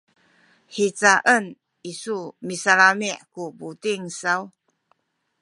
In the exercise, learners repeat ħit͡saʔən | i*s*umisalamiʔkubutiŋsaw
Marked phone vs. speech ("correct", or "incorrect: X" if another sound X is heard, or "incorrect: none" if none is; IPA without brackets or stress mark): correct